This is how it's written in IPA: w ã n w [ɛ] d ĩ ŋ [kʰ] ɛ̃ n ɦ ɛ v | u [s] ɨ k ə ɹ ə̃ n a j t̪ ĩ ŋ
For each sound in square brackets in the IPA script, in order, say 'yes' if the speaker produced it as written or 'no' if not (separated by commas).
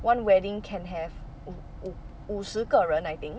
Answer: yes, yes, yes